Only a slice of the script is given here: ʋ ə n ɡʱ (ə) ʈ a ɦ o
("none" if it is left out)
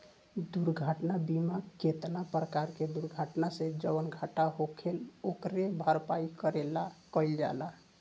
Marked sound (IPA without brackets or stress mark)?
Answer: a